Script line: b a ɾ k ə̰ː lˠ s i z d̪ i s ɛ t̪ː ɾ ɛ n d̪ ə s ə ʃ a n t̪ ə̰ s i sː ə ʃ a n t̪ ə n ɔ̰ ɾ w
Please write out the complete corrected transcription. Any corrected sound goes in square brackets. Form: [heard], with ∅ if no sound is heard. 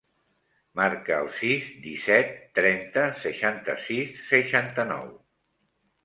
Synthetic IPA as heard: [m] a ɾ k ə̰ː lˠ s i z d̪ i s ɛ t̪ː ɾ ɛ n [t̪] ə s ə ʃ a n t̪ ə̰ s i sː ə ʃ a n t̪ ə n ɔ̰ [∅] w